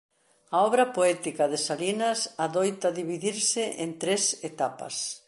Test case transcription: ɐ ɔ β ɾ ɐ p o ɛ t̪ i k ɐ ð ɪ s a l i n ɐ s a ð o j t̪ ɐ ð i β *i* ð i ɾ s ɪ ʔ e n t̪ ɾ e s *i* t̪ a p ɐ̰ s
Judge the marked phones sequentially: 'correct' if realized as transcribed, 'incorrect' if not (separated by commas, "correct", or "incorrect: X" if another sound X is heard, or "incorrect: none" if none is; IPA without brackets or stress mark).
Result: correct, incorrect: e